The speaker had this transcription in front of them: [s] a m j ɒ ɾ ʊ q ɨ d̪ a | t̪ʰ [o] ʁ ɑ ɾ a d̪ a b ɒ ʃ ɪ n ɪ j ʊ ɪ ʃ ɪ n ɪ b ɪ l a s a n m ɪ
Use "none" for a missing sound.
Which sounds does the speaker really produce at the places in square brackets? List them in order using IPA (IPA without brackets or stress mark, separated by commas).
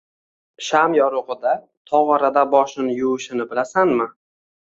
ʃ, ɒ